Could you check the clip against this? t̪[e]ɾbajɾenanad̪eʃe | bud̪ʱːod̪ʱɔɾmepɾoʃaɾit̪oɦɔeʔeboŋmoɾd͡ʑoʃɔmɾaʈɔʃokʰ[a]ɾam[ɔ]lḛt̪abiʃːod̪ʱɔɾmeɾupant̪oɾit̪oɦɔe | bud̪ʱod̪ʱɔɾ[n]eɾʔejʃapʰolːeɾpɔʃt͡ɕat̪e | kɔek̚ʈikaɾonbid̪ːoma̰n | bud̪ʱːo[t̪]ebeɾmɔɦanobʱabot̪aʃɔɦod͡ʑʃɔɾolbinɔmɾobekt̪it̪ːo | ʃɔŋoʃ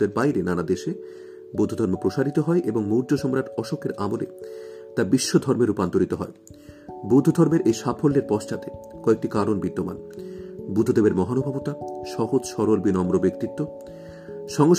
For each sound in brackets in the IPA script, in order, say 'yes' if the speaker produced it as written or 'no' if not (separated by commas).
yes, no, no, no, no